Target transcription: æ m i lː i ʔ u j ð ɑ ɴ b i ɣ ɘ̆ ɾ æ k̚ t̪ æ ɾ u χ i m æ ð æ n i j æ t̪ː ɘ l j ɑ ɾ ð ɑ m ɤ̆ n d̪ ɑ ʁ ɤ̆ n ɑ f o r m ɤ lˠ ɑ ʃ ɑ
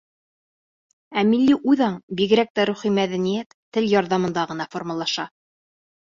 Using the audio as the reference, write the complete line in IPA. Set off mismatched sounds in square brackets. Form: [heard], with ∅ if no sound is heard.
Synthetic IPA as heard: æ m i lː i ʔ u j ð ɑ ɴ b i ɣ ɘ̆ ɾ æ k̚ t̪ æ ɾ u χ i m æ ð æ n i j æ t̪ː ɘ l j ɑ ɾ ð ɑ m ɤ̆ n d̪ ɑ ʁ ɤ̆ n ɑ f o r m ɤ lˠ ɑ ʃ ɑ